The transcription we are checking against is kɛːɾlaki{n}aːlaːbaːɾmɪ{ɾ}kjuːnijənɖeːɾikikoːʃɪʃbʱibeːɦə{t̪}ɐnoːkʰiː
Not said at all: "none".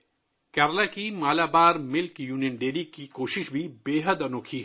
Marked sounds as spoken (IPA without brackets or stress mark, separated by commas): m, l, d̪